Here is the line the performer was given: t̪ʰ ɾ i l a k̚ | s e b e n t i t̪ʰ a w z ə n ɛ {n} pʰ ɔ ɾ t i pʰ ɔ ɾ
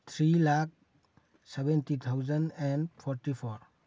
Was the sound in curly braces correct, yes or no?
yes